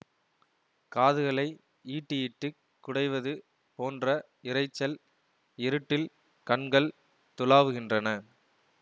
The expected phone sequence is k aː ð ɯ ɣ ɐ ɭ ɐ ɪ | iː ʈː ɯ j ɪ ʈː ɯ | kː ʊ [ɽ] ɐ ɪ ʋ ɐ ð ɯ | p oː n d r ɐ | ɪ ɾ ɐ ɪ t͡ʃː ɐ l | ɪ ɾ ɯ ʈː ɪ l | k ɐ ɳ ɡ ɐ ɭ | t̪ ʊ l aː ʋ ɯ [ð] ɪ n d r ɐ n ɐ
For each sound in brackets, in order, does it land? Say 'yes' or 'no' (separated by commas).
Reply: yes, no